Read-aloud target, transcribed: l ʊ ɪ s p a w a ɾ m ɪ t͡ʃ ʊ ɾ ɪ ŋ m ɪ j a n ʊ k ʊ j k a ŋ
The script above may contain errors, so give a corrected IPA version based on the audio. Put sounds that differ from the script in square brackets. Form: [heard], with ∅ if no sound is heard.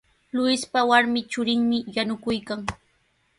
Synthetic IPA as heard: l ʊ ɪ s p a w a ɾ m ɪ t͡ʃ ʊ ɾ ɪ ŋ m ɪ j a n ʊ k ʊ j k a ŋ